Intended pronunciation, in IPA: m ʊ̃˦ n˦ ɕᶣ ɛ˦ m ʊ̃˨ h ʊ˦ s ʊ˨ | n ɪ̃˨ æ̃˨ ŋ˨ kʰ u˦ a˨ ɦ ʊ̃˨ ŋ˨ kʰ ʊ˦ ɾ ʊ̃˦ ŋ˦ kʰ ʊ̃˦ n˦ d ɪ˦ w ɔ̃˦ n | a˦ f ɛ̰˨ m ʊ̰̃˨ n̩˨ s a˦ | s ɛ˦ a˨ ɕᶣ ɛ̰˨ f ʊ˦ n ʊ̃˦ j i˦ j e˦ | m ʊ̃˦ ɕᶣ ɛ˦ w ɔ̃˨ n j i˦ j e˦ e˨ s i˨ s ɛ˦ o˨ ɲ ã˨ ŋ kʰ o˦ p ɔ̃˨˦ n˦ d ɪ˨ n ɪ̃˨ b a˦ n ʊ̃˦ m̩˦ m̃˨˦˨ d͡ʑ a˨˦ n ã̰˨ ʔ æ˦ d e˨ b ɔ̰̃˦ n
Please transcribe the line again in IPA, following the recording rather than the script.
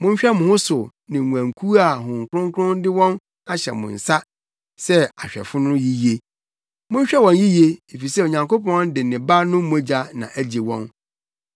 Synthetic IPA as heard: m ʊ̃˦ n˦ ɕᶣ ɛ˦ m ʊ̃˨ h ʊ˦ s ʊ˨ | n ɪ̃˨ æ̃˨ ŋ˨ kʰ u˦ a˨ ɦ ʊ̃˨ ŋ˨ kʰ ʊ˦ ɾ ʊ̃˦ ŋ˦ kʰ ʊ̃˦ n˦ d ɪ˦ w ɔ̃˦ n | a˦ ɕ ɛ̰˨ m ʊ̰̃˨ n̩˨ s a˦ | s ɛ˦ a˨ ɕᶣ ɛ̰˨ f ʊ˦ n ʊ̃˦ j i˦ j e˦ | m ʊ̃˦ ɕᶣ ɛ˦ w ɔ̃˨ n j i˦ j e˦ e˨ f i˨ s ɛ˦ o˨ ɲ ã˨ ŋ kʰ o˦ p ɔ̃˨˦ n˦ d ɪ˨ n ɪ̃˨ b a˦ n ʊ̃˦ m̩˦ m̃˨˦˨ d͡ʑ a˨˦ n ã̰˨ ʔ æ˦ d͡ʑ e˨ w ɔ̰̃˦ n

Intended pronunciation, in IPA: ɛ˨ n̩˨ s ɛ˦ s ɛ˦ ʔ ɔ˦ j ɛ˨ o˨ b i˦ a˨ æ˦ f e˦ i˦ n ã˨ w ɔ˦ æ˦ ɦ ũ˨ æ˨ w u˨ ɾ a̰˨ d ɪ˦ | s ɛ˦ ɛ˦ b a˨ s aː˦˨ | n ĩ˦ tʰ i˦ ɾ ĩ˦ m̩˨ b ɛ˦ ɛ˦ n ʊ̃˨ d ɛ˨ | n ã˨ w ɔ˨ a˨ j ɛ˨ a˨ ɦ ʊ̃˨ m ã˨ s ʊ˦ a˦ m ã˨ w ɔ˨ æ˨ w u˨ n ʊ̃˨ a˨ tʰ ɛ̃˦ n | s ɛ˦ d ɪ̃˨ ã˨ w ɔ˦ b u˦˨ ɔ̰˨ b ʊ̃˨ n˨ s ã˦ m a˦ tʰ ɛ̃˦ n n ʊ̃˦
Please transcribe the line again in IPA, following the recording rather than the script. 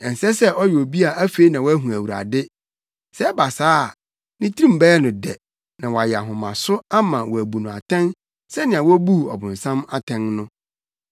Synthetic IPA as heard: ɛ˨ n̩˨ s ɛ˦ s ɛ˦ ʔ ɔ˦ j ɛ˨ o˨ b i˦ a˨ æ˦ f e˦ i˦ n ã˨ w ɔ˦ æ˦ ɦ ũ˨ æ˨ w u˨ ɾ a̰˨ d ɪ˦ | s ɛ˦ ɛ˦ b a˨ s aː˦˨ | n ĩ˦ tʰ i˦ ɾ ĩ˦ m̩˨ b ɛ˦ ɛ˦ n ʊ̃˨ d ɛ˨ | n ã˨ w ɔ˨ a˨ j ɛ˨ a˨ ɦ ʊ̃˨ m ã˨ s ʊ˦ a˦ m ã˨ w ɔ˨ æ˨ b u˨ n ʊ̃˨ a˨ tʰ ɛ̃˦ n | s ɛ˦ n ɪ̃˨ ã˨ w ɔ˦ b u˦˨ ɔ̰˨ b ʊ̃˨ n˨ s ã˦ m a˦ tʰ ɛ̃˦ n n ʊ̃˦

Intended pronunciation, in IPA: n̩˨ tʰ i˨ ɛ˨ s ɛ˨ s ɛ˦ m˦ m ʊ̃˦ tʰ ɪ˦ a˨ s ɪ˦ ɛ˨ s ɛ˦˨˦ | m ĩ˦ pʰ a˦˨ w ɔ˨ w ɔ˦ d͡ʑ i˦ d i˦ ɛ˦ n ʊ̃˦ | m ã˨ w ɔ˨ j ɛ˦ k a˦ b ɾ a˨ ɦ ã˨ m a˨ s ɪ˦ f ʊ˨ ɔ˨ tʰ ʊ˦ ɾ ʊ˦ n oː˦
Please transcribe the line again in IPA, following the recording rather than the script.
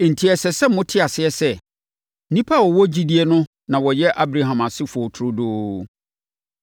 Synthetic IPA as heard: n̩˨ tʰ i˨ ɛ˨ s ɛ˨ s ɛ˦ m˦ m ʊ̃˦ tʰ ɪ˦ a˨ s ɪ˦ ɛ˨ s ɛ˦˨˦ | n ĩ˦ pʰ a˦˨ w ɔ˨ w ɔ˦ d͡ʑ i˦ d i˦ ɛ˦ n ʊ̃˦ | n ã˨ w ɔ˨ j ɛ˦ ʔ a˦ b ɾ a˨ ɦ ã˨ m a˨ s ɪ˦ f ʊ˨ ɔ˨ tʰ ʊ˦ ɾ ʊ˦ d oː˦

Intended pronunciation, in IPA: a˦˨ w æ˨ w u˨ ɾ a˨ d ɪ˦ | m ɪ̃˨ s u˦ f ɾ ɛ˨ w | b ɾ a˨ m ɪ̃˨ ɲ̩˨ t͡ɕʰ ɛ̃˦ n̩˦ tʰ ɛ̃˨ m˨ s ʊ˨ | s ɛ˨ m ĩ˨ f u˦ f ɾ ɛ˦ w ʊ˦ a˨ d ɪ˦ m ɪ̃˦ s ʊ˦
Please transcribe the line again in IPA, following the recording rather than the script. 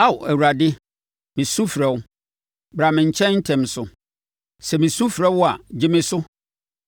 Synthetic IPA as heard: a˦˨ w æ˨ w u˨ ɾ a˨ d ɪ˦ | m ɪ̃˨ s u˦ f ɾ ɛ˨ w | b ɾ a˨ m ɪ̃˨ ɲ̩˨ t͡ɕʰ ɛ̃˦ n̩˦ tʰ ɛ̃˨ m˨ s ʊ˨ | s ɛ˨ m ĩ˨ s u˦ f ɾ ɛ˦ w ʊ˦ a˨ d͡ʑ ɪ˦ m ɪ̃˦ s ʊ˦

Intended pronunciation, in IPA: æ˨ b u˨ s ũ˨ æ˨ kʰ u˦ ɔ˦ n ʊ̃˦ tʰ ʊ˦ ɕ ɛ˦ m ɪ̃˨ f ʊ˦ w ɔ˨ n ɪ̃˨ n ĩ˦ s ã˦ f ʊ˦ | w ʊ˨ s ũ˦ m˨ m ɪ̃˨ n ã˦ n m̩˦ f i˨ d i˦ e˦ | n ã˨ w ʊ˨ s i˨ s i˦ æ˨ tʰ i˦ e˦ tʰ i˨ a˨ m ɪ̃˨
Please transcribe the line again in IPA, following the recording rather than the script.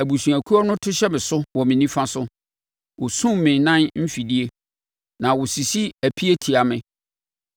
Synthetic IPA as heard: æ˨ b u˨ s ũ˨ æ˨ kʰ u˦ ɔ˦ n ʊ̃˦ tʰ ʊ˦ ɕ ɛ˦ m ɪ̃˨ s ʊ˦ w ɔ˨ m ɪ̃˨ n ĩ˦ f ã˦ s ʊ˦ | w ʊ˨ s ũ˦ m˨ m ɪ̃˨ n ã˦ n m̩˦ f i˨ d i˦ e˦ | n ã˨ w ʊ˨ s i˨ s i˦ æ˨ pʰ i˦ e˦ tʰ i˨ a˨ m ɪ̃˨

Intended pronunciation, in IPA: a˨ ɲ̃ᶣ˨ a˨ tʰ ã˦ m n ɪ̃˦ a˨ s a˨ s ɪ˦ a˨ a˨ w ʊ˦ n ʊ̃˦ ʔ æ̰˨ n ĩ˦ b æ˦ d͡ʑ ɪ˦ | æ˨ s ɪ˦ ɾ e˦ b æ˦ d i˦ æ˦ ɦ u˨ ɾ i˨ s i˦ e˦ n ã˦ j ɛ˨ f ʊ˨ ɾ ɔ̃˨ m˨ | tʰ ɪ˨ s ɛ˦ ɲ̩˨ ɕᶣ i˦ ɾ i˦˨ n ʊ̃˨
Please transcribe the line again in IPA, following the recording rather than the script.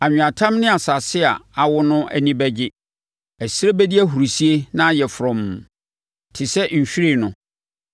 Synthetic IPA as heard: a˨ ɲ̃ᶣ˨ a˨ tʰ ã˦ m n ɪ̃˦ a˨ s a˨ s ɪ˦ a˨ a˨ w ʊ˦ n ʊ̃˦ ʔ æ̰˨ n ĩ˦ b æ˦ d͡ʑ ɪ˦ | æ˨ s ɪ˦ ɾ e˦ b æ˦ d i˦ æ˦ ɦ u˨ ɾ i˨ s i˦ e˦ n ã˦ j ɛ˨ f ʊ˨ ɾ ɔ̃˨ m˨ | tʰ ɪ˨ s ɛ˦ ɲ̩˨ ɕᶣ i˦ ɾ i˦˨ n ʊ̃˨

